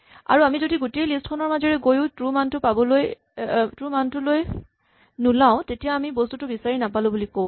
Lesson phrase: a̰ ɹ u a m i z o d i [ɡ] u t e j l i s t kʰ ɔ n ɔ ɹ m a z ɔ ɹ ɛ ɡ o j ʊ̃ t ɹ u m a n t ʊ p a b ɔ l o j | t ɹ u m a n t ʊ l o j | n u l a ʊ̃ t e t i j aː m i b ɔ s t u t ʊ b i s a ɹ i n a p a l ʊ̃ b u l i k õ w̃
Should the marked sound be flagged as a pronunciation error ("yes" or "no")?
no